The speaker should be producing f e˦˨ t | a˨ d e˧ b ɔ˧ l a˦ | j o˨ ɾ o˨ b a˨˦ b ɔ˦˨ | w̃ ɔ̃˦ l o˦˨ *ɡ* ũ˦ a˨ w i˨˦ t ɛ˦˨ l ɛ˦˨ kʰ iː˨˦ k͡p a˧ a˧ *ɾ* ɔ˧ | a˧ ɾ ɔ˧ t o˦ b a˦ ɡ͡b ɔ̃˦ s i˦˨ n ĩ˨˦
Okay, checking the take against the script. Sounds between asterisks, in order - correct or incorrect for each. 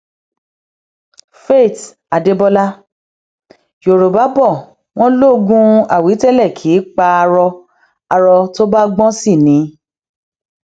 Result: correct, correct

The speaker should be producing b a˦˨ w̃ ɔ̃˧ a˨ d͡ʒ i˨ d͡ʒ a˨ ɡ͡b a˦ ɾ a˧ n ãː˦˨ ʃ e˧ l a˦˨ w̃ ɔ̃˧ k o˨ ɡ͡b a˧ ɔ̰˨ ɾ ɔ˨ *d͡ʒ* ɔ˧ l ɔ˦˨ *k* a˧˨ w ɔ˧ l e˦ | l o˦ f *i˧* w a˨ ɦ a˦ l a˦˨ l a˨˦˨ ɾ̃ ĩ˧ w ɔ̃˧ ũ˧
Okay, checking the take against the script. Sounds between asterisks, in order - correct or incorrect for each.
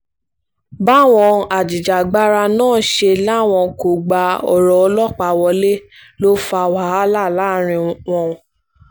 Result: incorrect: none, incorrect: k͡p, incorrect: a˧

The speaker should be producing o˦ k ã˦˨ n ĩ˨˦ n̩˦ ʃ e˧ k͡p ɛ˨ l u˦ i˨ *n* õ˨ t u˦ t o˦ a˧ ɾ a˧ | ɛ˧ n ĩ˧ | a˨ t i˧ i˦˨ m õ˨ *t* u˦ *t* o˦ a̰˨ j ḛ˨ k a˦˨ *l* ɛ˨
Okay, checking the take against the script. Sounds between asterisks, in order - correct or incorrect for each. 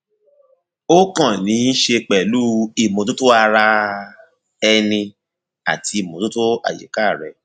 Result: incorrect: m, correct, correct, incorrect: ɾ

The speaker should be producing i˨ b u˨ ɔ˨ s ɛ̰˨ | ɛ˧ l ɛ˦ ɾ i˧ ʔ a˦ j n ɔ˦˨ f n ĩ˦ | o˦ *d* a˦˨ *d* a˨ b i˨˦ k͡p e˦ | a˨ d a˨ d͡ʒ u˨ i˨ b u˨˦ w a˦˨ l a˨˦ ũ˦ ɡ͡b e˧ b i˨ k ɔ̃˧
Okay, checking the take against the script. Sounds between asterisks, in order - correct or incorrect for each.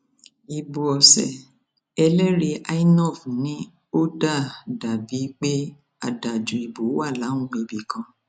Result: correct, correct

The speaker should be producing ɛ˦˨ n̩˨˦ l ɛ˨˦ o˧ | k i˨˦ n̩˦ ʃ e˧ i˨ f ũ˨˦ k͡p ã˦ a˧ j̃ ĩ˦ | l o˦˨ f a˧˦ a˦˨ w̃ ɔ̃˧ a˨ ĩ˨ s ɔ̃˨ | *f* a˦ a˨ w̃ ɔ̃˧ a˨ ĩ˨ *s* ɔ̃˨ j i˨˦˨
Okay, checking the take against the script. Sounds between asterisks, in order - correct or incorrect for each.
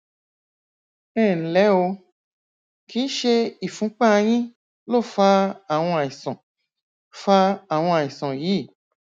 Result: correct, correct

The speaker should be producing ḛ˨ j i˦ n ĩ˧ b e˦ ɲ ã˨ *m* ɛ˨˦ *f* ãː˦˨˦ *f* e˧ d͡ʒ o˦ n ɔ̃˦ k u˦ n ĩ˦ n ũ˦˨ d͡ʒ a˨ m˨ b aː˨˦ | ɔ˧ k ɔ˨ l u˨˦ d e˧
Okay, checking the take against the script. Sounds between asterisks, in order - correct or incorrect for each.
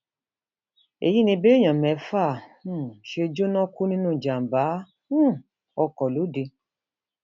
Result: correct, correct, incorrect: ʃ

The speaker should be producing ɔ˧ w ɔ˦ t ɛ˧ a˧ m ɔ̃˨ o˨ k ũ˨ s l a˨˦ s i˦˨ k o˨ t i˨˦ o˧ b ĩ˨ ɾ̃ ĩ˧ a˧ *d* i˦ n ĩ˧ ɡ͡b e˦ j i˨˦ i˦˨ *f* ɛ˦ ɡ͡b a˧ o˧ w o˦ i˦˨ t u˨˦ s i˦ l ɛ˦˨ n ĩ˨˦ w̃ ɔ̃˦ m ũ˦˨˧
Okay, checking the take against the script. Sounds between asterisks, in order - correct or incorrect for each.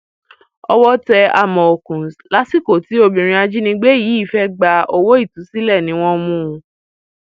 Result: incorrect: d͡ʒ, correct

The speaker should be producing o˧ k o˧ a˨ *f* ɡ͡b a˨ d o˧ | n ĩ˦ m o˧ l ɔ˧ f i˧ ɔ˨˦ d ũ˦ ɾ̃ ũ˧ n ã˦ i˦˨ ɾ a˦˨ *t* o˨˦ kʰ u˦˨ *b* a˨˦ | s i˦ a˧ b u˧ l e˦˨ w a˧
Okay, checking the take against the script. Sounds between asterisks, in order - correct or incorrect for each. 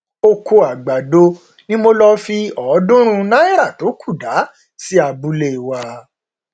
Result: incorrect: none, correct, incorrect: d

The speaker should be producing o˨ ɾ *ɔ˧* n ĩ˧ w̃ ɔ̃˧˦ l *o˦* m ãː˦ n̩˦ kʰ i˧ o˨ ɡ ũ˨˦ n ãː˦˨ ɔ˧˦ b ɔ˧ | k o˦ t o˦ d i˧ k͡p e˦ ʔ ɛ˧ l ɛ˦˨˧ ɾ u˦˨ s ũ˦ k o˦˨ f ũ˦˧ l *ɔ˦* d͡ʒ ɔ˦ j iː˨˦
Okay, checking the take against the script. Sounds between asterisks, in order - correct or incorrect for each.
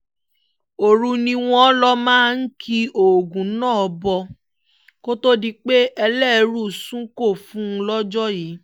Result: incorrect: u˧, incorrect: ɔ˦, correct

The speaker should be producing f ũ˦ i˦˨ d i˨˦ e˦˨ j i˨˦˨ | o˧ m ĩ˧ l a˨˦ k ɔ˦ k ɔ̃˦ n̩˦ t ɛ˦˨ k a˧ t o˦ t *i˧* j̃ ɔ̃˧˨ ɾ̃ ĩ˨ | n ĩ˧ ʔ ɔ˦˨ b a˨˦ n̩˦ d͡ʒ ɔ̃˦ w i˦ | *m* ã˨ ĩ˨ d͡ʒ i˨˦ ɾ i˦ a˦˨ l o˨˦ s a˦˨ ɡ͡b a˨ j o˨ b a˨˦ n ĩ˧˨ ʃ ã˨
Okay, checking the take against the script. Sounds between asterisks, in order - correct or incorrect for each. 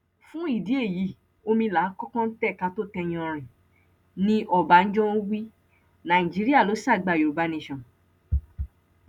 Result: incorrect: ɛ˧, incorrect: n

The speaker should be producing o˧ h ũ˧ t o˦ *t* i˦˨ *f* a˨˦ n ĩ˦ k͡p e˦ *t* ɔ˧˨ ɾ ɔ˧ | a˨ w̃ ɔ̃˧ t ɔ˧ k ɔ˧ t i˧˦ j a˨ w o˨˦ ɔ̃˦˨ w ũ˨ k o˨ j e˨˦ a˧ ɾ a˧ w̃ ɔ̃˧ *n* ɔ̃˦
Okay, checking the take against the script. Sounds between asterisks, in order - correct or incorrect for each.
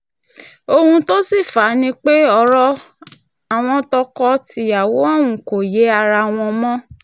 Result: incorrect: s, correct, incorrect: none, incorrect: m

